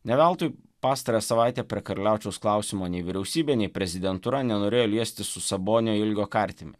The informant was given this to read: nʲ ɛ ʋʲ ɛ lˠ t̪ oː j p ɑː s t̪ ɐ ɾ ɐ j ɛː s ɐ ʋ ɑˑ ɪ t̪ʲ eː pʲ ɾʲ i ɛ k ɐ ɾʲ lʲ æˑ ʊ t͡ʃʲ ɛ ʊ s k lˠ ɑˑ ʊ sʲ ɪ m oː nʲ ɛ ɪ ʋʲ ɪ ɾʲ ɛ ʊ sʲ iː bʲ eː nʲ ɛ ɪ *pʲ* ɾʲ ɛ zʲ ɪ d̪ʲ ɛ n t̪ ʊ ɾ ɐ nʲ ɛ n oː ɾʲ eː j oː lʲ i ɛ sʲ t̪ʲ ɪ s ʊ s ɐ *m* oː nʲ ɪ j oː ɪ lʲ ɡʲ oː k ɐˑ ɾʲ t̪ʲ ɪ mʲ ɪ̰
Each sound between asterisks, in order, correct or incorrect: correct, incorrect

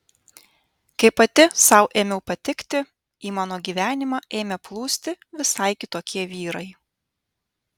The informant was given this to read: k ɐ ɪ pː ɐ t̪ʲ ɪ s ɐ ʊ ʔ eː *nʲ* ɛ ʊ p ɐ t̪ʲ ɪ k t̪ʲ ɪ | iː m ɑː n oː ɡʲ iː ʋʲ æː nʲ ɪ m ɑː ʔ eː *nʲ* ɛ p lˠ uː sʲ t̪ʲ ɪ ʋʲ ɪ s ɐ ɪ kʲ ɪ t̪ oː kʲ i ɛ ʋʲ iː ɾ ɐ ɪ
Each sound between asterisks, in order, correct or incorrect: incorrect, incorrect

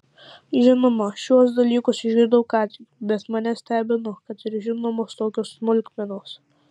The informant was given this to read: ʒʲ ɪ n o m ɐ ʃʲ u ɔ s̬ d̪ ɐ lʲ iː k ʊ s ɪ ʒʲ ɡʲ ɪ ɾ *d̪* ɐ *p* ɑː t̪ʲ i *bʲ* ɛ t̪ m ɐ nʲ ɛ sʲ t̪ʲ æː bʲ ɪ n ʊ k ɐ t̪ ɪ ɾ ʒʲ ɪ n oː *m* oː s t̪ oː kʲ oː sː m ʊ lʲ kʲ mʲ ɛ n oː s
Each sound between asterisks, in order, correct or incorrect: correct, incorrect, correct, correct

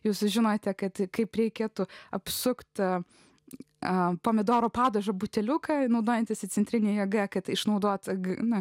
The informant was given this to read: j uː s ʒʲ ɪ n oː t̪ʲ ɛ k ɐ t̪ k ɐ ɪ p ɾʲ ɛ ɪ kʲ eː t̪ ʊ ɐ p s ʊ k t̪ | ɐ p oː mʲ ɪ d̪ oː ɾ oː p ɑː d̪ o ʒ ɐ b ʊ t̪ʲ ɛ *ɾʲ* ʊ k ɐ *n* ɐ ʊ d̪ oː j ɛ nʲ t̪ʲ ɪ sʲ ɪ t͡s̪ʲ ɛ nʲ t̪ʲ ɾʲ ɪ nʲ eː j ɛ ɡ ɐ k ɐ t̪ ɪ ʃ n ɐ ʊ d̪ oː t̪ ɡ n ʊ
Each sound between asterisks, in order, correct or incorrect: incorrect, correct

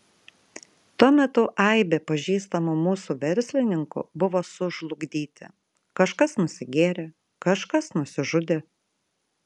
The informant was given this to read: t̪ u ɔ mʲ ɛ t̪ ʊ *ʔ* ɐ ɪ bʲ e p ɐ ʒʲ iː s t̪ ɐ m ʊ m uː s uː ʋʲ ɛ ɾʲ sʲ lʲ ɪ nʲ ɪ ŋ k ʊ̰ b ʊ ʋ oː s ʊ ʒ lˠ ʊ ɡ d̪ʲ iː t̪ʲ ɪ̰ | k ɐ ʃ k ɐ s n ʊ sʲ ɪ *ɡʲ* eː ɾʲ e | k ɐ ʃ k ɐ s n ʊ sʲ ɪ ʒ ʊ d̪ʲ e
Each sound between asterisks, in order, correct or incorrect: correct, correct

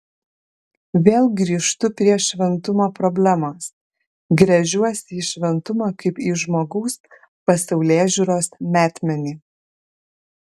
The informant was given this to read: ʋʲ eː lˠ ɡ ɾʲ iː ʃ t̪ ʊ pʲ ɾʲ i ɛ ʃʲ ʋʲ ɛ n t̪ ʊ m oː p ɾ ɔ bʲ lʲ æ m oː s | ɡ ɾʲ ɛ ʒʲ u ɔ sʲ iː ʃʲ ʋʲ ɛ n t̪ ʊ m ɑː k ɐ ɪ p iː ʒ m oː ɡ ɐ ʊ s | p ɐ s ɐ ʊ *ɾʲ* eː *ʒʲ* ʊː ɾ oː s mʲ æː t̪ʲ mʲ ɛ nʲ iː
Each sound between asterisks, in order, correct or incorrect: incorrect, correct

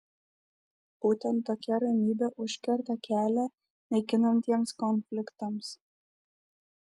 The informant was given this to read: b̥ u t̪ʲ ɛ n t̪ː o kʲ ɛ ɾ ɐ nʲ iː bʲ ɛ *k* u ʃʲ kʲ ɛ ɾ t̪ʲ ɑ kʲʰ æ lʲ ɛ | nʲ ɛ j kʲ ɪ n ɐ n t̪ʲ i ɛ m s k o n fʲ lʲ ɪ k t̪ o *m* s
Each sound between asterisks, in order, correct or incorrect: incorrect, correct

